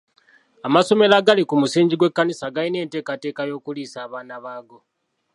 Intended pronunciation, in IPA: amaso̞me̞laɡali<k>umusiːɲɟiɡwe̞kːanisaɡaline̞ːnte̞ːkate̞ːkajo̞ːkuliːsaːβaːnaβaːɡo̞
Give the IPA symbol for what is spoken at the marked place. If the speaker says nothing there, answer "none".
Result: k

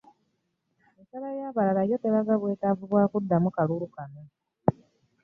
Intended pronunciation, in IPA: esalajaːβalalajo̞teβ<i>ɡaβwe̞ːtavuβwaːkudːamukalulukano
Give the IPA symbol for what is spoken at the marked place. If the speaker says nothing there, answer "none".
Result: a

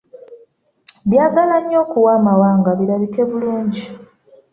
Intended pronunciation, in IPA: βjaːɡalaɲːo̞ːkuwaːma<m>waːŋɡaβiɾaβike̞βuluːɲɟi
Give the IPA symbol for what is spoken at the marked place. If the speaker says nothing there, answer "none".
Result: none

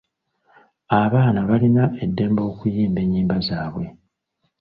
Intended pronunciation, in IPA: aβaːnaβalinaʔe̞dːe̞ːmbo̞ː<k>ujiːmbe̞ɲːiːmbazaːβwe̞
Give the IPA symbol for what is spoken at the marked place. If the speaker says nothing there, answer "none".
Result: k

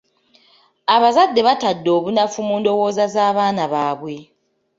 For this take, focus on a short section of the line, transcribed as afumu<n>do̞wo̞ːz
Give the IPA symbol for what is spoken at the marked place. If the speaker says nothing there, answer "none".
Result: n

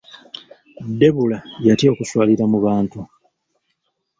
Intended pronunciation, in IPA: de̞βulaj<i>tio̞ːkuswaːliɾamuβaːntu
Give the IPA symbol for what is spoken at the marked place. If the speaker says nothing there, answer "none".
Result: a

